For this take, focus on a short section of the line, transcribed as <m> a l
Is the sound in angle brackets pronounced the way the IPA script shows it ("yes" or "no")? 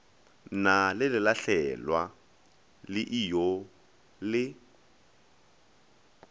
no